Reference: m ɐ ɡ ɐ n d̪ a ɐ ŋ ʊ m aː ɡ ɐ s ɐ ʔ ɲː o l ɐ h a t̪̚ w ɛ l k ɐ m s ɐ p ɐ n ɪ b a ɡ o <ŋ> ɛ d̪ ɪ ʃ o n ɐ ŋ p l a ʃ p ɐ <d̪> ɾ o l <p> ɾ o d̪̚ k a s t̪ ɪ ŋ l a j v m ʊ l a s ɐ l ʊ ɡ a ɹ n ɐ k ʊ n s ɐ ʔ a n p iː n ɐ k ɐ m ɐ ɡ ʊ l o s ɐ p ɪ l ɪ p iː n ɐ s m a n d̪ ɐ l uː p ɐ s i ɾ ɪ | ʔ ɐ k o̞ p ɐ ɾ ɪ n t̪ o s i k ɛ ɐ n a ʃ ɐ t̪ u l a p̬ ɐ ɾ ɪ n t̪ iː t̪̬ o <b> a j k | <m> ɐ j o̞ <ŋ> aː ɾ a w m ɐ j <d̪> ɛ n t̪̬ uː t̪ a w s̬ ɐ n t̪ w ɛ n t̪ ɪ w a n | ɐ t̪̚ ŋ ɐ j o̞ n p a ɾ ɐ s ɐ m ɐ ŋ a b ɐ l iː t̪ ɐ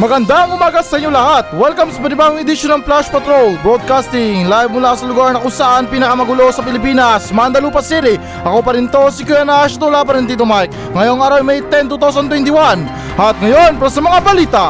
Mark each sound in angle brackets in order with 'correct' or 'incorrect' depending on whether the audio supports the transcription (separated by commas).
correct, incorrect, incorrect, incorrect, incorrect, correct, incorrect